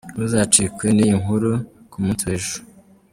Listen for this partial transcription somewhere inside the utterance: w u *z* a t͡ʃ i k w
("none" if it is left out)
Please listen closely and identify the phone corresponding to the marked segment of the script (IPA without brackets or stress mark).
z